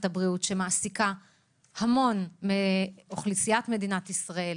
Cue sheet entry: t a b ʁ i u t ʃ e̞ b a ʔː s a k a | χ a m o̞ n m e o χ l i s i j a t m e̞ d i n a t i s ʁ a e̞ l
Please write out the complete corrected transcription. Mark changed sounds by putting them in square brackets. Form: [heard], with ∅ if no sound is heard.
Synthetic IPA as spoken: t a b ʁ i u t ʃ e̞ [m] a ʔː s [i] k a | [h] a m o̞ n m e o χ l i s i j a t m e̞ d i n a t i s ʁ a e̞ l